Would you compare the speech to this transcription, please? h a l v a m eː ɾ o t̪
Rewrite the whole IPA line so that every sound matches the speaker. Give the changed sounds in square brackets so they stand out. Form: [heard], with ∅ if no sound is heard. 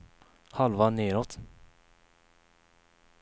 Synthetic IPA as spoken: h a l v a [n] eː ɾ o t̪